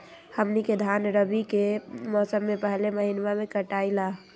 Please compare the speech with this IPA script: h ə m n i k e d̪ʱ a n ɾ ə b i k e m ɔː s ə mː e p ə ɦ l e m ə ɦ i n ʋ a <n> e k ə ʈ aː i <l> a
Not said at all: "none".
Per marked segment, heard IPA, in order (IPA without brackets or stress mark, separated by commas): m, l